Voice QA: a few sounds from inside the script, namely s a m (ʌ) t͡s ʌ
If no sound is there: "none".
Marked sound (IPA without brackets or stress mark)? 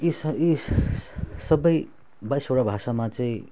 a